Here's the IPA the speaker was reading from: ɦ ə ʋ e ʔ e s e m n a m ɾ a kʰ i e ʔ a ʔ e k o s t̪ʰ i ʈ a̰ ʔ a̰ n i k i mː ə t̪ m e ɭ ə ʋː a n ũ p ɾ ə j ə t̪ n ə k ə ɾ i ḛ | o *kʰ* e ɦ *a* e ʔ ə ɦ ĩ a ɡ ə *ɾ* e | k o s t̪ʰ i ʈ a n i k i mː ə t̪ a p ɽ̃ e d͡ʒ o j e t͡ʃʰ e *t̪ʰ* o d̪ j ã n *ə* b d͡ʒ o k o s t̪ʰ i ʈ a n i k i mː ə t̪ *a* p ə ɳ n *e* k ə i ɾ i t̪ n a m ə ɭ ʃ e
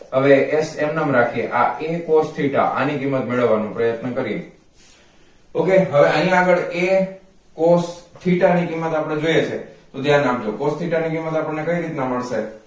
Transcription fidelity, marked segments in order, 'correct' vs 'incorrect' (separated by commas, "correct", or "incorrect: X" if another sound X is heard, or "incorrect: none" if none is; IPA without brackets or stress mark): incorrect: k, incorrect: ə, incorrect: ɭ, incorrect: t̪, incorrect: a, correct, correct